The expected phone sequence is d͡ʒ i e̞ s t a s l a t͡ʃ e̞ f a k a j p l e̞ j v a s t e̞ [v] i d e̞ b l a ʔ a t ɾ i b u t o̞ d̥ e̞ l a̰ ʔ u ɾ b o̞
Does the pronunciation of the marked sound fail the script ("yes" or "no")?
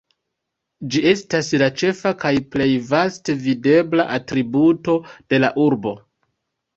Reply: no